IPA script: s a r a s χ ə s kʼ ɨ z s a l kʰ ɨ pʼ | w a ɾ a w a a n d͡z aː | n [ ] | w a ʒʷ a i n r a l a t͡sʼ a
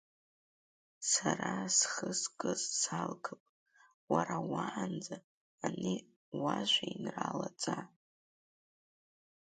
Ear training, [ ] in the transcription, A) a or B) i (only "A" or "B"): B